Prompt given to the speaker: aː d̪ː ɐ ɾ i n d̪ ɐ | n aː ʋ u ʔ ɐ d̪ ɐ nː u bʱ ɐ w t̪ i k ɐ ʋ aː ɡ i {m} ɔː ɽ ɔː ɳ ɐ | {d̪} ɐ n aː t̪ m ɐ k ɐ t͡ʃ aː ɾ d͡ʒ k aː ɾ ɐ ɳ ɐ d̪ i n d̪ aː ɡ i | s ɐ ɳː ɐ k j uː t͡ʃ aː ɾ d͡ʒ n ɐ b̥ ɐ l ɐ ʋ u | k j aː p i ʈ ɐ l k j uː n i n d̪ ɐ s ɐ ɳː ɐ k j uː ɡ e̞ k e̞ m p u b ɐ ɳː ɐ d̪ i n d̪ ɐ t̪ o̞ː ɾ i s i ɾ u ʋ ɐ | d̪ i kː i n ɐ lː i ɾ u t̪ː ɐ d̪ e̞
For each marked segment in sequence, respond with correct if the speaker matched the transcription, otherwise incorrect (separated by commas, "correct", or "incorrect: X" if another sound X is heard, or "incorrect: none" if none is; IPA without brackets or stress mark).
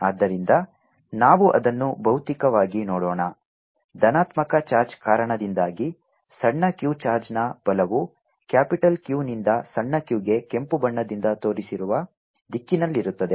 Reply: incorrect: n, correct